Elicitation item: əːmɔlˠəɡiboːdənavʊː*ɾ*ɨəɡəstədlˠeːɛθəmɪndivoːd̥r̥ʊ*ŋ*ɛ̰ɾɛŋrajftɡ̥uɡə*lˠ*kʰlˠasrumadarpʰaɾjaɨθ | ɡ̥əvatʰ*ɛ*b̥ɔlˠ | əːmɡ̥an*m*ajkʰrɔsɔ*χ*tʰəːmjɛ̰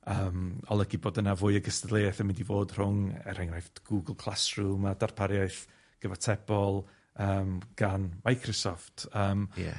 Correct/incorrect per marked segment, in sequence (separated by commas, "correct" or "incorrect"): incorrect, correct, correct, correct, correct, incorrect